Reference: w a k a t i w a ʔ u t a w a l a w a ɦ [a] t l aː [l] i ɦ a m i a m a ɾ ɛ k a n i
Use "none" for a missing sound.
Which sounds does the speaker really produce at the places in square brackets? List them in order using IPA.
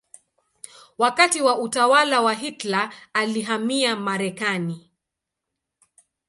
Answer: i, l

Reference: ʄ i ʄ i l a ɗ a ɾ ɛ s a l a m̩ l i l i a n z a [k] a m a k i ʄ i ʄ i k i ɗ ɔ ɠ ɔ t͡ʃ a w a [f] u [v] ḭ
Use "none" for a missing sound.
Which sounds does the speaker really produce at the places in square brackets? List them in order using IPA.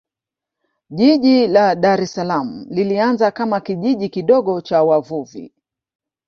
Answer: k, v, v

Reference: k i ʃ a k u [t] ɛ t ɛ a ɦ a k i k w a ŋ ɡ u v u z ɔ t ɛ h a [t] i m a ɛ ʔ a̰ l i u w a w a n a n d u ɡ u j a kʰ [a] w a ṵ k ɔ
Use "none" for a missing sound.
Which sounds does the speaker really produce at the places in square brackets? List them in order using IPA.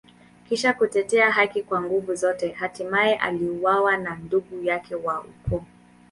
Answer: t, t, ɛ

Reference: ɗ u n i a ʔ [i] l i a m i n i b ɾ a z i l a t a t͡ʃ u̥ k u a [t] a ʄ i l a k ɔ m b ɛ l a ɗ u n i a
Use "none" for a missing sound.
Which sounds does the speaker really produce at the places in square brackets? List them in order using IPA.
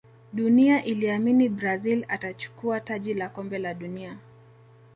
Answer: i, t

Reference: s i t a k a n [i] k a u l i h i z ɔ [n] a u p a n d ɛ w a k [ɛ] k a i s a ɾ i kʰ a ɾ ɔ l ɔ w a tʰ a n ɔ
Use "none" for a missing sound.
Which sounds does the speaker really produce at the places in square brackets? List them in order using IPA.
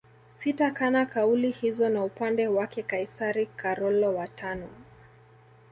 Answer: a, n, ɛ

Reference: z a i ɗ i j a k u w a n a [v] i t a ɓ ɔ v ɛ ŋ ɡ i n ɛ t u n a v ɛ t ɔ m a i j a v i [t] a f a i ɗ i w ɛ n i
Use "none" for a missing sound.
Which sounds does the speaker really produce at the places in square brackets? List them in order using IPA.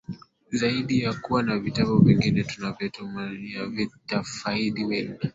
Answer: v, t

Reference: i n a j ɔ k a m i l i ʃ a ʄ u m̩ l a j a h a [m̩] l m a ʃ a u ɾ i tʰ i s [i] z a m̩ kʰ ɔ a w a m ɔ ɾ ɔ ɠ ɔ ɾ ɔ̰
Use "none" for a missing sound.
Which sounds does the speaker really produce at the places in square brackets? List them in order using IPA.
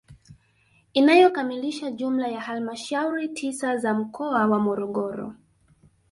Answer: none, a

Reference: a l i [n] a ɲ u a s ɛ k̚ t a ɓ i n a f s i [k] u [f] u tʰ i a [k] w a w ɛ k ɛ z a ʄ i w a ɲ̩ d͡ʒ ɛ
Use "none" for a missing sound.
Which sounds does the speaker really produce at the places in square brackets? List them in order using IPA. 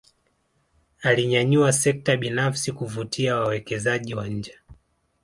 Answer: ɲ, k, v, none

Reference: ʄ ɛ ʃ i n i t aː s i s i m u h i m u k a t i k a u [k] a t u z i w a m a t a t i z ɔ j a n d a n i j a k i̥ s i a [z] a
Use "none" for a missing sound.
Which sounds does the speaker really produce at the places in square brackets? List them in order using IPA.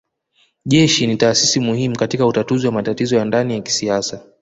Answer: t, s

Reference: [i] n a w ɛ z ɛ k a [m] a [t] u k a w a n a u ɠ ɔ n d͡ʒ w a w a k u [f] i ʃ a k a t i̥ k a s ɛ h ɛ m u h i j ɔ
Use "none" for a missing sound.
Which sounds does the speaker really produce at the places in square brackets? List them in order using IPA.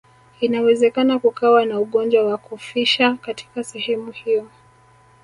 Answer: i, n, k, f

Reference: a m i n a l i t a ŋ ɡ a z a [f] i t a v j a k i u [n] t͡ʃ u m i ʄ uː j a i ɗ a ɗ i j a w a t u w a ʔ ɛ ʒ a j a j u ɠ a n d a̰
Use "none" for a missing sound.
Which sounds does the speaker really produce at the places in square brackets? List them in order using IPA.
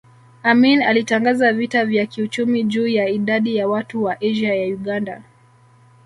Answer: v, none

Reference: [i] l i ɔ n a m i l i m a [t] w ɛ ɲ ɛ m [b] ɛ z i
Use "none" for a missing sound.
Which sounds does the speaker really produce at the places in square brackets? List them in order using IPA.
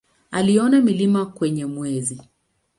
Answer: a, k, w

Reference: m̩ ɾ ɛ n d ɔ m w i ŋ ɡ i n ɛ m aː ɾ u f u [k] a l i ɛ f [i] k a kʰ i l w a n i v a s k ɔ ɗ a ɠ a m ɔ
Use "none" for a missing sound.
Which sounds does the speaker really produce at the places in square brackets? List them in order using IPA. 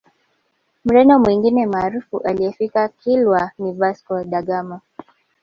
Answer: ʔ, i

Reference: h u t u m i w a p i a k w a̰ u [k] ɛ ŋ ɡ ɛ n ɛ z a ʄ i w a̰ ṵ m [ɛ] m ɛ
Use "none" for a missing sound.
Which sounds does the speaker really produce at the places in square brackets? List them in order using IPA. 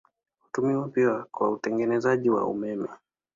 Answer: t, ɛ

